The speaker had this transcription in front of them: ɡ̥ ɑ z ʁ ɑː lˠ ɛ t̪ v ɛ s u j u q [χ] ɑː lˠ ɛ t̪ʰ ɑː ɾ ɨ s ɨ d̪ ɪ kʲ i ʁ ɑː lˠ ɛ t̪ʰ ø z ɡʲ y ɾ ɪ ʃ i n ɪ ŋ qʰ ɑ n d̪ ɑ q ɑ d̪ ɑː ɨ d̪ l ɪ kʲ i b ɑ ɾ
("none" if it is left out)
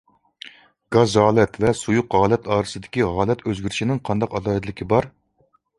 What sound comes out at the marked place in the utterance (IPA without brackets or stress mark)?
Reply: ʁ